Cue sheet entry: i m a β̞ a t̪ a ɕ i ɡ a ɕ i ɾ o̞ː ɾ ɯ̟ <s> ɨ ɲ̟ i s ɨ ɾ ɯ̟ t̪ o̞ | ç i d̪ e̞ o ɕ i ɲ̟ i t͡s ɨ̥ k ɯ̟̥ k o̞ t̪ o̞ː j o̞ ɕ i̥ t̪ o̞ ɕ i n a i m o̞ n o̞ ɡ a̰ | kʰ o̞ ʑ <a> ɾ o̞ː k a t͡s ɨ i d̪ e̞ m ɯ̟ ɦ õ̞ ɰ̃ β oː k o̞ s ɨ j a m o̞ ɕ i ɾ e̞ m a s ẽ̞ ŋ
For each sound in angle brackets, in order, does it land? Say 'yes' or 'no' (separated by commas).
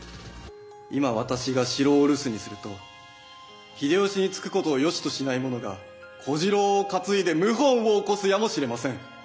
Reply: yes, no